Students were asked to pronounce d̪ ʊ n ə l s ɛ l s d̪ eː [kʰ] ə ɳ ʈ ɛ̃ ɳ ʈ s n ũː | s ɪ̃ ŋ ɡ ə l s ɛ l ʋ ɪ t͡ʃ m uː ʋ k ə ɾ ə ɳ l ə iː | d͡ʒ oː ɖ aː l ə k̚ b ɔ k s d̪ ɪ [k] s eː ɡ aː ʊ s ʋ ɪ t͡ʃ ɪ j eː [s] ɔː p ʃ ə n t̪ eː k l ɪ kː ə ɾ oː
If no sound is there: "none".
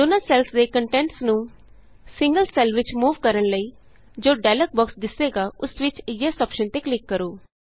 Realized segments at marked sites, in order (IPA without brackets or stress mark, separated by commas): k, none, s